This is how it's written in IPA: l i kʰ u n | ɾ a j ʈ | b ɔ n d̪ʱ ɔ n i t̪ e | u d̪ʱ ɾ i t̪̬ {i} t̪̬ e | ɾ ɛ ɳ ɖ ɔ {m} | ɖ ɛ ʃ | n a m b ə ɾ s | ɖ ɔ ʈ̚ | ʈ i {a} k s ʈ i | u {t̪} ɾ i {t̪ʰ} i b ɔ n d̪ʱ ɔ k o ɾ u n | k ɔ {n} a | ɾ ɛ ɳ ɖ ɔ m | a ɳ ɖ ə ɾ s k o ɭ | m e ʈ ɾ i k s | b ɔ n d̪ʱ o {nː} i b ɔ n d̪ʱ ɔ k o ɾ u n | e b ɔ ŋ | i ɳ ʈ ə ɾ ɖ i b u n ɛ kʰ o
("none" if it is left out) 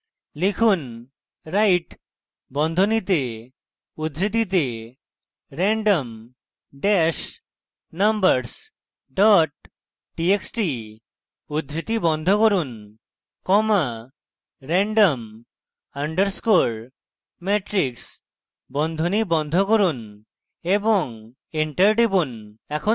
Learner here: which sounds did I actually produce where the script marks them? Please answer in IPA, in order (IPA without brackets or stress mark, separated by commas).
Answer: i, m, e, d̪, t̪, m, n